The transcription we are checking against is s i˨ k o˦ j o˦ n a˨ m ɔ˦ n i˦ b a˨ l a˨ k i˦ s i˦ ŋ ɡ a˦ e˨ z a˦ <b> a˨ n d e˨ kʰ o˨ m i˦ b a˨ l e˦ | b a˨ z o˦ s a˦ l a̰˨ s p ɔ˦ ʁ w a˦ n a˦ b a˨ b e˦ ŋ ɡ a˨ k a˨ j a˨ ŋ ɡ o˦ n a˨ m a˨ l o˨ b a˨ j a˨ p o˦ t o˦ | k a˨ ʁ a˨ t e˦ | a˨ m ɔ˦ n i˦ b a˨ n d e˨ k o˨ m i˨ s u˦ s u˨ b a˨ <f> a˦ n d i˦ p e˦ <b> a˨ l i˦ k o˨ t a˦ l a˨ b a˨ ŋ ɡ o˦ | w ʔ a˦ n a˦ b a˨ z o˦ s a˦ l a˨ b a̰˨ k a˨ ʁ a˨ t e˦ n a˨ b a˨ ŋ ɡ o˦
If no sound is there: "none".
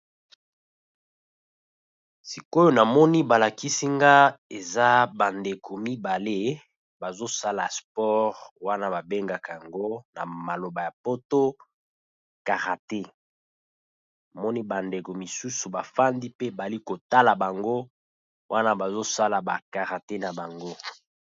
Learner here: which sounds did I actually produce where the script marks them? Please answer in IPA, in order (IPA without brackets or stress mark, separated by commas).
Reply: b, f, b